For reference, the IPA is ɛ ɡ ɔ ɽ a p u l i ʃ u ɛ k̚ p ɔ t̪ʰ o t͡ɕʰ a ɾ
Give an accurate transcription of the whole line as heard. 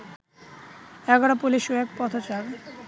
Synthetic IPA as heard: ɛ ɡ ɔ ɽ a p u l i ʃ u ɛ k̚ p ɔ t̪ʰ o t͡ɕ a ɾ